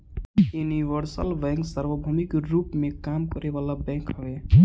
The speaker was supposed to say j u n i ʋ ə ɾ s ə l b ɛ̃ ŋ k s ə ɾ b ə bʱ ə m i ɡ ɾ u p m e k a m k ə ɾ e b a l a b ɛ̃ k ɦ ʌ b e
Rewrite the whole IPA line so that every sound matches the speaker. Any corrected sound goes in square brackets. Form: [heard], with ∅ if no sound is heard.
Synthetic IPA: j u n i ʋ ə ɾ s ə l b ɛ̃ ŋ k s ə ɾ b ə bʱ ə m i [k] ɾ u p m e k a m k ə ɾ e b a l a b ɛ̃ k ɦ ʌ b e